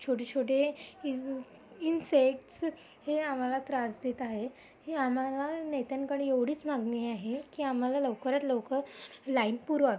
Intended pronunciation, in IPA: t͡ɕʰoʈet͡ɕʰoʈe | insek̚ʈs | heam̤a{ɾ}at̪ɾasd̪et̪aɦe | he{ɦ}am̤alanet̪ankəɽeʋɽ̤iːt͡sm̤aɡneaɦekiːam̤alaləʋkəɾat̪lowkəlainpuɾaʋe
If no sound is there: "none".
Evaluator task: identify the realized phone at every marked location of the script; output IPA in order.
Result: l, none

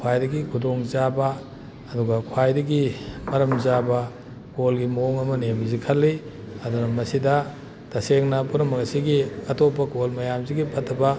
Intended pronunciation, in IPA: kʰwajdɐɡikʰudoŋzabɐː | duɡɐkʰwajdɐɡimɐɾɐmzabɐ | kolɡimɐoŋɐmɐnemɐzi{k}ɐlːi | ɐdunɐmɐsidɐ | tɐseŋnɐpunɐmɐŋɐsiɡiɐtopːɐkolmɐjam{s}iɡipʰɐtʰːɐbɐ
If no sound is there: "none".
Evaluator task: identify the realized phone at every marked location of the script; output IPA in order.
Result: kʰ, z

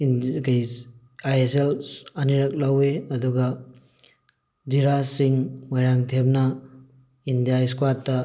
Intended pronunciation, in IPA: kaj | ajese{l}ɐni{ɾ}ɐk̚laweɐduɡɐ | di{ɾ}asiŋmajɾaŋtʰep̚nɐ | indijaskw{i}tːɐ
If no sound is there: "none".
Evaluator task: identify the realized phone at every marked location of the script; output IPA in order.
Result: l, ɾ, ɾ, a

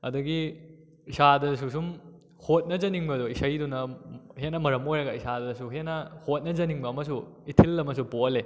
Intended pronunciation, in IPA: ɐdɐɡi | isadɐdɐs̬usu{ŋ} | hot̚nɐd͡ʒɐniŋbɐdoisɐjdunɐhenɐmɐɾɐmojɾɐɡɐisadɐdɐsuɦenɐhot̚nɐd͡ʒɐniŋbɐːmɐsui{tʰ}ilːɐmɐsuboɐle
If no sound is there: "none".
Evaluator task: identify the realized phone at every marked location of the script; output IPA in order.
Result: m, tʰ

